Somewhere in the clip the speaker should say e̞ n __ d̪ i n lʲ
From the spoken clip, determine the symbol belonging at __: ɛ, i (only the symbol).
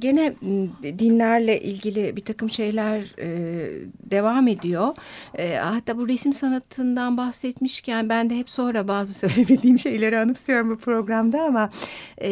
ɛ